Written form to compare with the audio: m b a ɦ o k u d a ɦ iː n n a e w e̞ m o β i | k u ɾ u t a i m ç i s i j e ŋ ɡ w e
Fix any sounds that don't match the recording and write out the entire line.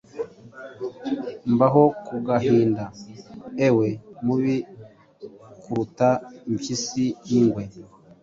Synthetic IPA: m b a ɦ o k u ɡ a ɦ iː n d a e w e̞ m u β i | k u ɾ u t a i m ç i s i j i ŋ ɡ w e